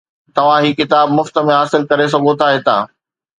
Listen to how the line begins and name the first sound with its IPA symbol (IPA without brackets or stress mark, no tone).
t̪